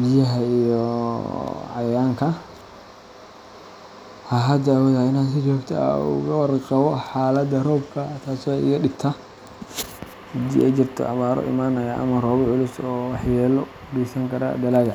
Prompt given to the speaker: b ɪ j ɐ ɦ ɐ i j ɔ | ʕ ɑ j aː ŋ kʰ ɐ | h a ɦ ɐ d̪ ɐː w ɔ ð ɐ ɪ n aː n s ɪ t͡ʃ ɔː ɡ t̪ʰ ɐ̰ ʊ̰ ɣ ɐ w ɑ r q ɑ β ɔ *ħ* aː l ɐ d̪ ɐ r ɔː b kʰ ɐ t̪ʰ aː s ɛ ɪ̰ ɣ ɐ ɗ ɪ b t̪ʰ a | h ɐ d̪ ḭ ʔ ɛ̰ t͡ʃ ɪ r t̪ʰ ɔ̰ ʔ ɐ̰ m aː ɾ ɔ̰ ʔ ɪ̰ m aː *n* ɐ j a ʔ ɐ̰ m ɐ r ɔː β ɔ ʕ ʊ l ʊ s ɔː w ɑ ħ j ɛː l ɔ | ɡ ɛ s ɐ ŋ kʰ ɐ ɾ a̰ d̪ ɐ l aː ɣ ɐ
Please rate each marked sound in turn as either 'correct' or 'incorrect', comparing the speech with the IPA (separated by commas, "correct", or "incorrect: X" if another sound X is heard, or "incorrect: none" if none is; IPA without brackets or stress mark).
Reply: correct, correct